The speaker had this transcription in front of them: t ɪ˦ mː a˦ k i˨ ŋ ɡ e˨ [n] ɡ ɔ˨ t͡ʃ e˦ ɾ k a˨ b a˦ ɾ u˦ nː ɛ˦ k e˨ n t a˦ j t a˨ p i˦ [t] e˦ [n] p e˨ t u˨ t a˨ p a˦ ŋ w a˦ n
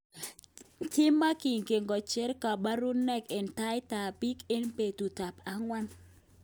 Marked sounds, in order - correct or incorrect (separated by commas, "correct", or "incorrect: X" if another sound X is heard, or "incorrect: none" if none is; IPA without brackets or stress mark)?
incorrect: ŋ, incorrect: k, correct